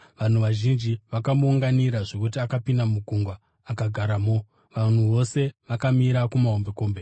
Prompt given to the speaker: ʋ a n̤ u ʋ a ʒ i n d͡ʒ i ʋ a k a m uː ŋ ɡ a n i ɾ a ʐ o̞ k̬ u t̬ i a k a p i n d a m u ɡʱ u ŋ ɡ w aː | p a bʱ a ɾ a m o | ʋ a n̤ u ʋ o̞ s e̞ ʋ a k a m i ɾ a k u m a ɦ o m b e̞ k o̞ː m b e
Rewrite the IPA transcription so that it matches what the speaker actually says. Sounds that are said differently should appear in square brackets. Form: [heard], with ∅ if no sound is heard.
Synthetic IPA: ʋ a n̤ u ʋ a ʒ i n d͡ʒ i ʋ a k a m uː ŋ ɡ a n i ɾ a ʐ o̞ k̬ u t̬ i a k a p i n d a m u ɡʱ u ŋ ɡ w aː | [k] a [ɡʱ] a ɾ a m o | ʋ a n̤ u ʋ o̞ s e̞ ʋ a k a m i ɾ a k u m a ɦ o m b e̞ k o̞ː m b e